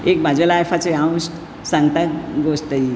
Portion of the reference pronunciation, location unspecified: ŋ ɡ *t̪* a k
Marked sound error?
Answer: no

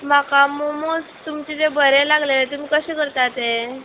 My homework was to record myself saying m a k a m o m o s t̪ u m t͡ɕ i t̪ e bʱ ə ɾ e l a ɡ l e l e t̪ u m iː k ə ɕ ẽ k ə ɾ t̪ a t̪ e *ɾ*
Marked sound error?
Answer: yes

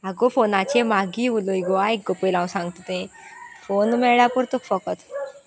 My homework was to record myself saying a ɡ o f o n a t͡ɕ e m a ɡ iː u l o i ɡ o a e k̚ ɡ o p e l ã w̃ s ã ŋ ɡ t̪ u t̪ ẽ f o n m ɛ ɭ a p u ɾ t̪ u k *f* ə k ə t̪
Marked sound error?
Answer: no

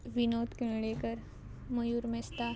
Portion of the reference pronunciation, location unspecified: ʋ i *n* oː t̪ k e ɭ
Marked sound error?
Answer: no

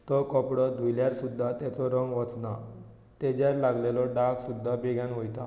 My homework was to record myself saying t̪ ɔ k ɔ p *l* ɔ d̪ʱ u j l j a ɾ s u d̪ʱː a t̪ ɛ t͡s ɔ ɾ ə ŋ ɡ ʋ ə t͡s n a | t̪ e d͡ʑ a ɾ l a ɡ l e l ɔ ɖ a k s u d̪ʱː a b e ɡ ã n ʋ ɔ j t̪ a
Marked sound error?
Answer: yes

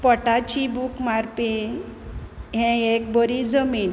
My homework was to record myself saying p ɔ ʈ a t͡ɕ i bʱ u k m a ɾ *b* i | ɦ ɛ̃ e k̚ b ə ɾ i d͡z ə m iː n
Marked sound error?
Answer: yes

